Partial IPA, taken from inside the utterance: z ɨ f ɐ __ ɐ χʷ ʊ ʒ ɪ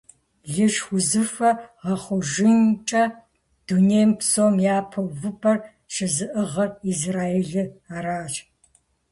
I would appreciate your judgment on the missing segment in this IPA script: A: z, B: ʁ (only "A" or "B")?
B